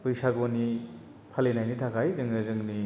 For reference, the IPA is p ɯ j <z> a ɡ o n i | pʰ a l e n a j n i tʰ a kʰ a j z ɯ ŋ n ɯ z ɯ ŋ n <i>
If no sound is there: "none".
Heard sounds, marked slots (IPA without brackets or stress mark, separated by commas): s, i